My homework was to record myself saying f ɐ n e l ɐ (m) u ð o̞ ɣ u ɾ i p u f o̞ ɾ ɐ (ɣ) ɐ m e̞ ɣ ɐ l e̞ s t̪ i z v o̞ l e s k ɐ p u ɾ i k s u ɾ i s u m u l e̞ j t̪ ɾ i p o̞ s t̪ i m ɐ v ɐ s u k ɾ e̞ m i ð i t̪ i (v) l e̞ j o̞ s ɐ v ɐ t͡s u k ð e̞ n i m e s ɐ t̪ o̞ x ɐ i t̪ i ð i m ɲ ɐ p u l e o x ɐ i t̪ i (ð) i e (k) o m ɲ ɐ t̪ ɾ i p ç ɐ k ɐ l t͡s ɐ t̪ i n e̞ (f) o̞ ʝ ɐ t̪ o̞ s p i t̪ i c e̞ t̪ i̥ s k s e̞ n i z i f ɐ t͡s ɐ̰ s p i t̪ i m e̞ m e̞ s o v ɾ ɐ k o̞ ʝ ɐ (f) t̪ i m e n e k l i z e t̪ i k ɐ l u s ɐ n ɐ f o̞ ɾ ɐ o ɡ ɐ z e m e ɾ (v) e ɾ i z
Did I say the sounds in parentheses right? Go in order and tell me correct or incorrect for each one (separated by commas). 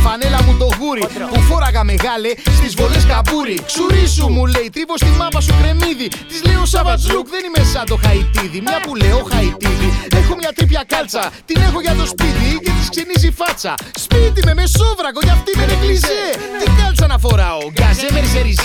correct, correct, incorrect, correct, incorrect, incorrect, correct, incorrect